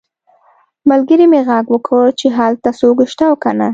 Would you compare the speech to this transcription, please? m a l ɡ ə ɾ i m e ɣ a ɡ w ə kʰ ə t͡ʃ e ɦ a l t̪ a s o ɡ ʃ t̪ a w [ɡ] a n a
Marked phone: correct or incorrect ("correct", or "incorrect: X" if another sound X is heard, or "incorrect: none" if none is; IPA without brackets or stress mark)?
incorrect: k